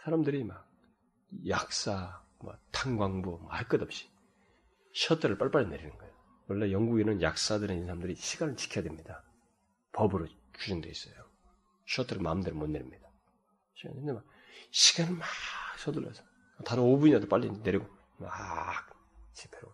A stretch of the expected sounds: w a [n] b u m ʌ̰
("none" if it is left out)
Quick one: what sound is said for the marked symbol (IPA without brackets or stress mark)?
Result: ŋ